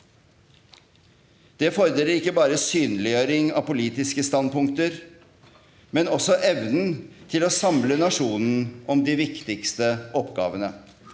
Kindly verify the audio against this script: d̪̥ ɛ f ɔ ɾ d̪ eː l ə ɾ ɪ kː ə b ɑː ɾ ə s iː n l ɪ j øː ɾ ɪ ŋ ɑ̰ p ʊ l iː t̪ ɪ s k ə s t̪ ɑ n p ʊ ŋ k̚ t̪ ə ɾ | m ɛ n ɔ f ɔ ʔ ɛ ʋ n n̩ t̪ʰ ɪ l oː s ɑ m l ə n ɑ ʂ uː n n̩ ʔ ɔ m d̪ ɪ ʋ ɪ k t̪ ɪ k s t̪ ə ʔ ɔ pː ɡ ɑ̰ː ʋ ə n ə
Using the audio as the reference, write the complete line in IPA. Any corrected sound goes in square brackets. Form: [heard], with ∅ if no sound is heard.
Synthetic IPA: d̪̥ ɛ f ɔ ɾ d̪ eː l ə ɾ ɪ kː ə b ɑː ɾ ə s [yː] n l ɪ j øː ɾ ɪ ŋ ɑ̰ p ʊ l iː t̪ ɪ s k ə s t̪ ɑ n p ʊ ŋ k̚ t̪ ə ɾ | m ɛ n ɔ [s] ɔ ʔ ɛ ʋ n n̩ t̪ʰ ɪ l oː s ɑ m l ə n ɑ ʂ uː n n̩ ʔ ɔ m d̪ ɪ ʋ ɪ k t̪ ɪ k s t̪ ə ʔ ɔ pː ɡ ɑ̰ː ʋ ə n ə